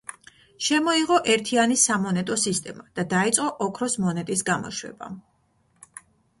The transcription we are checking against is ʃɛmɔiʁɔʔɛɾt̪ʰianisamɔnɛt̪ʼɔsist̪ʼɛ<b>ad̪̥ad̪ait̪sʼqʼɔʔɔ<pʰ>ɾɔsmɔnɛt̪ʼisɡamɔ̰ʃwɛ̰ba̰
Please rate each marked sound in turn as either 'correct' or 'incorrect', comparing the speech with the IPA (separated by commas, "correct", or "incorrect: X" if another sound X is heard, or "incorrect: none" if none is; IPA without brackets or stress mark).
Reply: incorrect: m, incorrect: kʰ